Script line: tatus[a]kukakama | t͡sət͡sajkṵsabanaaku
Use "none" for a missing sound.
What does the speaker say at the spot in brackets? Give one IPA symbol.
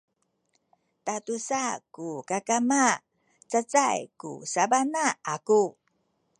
a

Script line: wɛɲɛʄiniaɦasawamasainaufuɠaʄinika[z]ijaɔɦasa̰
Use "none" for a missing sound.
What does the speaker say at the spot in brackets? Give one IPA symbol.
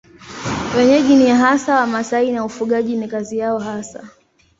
z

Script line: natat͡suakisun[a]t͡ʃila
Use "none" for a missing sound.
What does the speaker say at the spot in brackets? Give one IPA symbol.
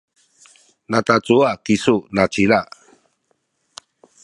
a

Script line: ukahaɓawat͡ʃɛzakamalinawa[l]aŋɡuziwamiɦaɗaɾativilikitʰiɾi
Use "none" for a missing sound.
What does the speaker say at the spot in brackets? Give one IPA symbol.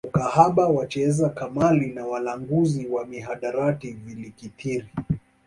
l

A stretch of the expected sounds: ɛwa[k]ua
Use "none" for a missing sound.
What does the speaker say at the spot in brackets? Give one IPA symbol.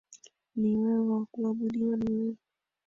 k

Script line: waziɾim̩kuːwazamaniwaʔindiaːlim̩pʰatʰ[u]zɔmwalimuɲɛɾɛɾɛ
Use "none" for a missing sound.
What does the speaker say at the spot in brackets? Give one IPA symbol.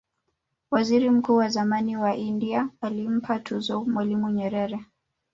u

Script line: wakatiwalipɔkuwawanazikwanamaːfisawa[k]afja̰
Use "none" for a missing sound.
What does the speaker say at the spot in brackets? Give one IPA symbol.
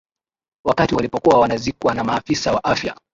ʔ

